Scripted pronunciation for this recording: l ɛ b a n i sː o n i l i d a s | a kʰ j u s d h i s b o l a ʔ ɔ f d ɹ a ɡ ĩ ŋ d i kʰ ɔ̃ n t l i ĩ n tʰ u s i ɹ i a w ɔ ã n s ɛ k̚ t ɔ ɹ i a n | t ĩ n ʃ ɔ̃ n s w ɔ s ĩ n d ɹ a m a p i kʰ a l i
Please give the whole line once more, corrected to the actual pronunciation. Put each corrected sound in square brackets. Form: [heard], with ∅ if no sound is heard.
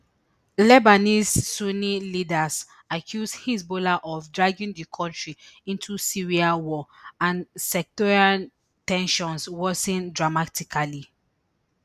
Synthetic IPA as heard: l ɛ b a n i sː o n i l i d a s | a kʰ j u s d h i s b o l a ʔ ɔ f d ɹ a ɡ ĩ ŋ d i kʰ ɔ̃ n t [ɹ] i ĩ n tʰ u s i ɹ i a w ɔ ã n s ɛ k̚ t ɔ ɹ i a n | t [ɛ̃] n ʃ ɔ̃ n s w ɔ s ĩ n d ɹ a m a [t] i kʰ a l i